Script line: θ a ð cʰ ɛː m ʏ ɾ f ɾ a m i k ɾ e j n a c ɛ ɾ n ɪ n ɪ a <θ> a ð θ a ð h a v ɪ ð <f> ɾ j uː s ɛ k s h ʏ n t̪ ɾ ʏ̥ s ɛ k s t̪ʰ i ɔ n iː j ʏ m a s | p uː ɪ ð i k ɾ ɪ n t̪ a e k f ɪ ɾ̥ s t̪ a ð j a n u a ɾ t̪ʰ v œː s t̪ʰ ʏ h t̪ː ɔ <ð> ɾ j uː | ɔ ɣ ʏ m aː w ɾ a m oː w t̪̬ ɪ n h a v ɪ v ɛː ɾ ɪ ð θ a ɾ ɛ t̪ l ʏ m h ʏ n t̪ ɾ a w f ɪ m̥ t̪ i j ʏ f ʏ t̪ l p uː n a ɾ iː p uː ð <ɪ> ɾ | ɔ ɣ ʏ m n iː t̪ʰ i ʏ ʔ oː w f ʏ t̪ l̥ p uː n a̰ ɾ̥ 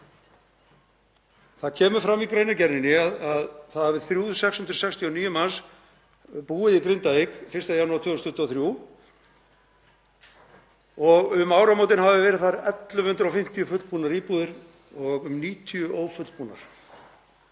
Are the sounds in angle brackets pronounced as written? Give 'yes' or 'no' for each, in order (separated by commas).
no, no, no, yes